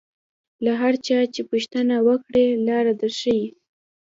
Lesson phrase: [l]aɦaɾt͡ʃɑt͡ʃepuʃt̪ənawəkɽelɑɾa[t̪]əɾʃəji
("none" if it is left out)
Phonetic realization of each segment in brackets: l, d̪

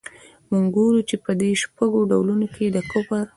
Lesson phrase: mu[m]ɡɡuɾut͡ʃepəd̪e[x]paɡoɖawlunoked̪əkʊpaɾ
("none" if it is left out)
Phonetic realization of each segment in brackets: ŋ, ʃ

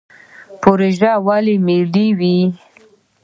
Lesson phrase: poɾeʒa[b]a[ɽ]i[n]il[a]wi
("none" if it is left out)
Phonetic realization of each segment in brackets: w, l, m, i

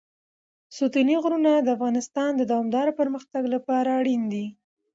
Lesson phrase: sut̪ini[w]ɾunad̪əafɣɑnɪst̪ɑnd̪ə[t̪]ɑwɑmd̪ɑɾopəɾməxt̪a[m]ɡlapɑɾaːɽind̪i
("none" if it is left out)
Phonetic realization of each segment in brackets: ɣ, d̪, none

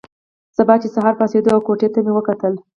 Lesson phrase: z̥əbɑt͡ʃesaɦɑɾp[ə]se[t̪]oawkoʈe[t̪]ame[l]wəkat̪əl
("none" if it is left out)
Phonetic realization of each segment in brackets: ɑ, d̪, t̪, none

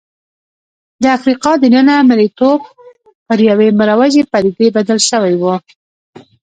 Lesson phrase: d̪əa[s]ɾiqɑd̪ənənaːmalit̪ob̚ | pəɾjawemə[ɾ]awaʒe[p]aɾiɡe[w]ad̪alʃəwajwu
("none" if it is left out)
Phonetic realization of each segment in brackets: f, ɾ, p, b

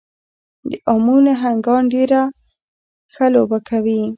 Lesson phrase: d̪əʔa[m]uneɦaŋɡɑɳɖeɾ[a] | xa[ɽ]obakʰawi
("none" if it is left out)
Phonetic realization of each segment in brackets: m, a, l

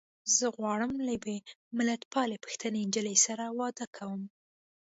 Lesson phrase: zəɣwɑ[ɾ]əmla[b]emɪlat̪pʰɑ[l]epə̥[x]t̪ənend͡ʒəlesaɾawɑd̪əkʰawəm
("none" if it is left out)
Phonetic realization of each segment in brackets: ɽ, b, l, x

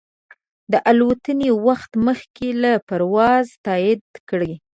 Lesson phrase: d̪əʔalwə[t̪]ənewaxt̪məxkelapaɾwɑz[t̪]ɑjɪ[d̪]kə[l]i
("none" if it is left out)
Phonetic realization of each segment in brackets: t̪, t̪, d̪, ɽ

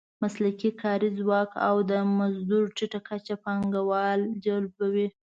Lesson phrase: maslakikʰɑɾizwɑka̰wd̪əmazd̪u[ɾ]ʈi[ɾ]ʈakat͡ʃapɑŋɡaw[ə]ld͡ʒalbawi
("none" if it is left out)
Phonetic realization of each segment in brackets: ɾ, none, ɑ

